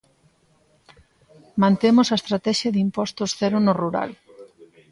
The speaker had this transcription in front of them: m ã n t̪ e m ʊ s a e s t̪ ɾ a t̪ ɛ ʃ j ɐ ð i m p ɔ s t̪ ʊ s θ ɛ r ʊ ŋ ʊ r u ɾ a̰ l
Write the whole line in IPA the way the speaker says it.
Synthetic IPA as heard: m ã n t̪ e m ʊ s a e s t̪ ɾ a t̪ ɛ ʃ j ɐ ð i m p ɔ s t̪ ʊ s θ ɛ ɾ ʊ n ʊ r u ɾ a̰ l

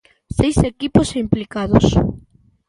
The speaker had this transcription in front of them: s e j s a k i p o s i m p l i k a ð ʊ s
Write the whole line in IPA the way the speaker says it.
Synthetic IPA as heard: s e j s e k i p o s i m p l i k a ð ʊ s

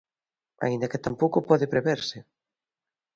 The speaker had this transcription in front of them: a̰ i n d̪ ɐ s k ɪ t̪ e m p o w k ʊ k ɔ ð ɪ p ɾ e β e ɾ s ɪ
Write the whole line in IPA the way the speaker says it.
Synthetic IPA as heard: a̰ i n d̪ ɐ k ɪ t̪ a m p o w k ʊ p ɔ ð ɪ p ɾ e β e ɾ s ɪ

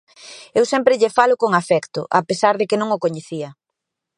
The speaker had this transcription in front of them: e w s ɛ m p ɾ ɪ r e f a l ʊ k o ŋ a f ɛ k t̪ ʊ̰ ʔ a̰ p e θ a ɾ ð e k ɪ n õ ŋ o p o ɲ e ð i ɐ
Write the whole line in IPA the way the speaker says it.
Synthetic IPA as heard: e w s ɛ m p ɾ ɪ ʎ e f a l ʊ k o ŋ a f ɛ k t̪ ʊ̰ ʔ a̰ p e s a ɾ ð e k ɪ n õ ŋ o k o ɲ e θ i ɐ

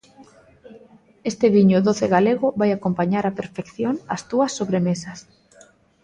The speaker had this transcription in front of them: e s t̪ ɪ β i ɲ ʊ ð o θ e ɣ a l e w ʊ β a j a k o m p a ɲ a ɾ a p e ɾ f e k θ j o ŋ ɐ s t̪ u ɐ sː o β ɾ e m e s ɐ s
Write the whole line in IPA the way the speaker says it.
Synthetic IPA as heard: e s t̪ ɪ β i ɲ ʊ ð o θ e ɣ a l e ɣ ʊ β a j a k o m p a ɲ a ɾ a p e ɾ f e k θ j o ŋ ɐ s t̪ u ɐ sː o β ɾ e m e s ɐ s

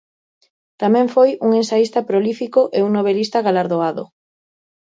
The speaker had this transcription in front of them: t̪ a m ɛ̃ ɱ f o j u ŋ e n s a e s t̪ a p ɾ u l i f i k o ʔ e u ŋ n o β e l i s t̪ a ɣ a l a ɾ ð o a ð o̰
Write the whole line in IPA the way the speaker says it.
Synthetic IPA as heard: t̪ a m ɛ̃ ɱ f o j u ŋ e n s a i s t̪ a p ɾ o l i f i k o ʔ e u ŋ n o β e l i s t̪ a ɣ a l a ɾ ð o a ð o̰

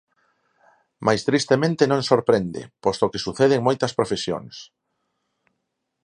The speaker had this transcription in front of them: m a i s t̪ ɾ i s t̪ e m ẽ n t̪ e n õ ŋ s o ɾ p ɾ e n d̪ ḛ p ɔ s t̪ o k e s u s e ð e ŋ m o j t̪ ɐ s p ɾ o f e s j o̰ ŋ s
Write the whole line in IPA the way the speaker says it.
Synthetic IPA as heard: m a j s t̪ ɾ i s t̪ e m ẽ n t̪ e n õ ŋ s o ɾ p ɾ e n d̪ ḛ p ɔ s t̪ o k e s u θ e ð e ŋ m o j t̪ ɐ s p ɾ o f e s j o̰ ŋ s

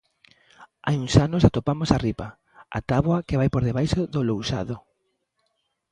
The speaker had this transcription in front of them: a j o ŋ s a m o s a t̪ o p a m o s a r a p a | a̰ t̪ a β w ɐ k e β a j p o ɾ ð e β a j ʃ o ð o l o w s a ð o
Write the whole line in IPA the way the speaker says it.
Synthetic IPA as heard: a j u ŋ s a n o s a t̪ o p a m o s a r i p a | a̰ t̪ a β w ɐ k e β a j p o ɾ ð e β a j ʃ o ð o l o w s a ð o

